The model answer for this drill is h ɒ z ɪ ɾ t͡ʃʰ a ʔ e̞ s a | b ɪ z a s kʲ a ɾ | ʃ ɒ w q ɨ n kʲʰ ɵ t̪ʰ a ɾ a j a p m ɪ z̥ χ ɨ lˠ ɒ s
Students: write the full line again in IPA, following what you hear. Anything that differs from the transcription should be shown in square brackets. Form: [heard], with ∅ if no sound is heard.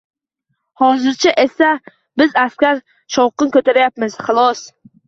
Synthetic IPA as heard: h ɒ z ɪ ɾ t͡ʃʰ a ʔ e̞ s a | b ɪ z a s kʲ a ɾ | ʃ ɒ w q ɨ n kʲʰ ɵ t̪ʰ a ɾ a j a p m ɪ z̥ χ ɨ lˠ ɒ s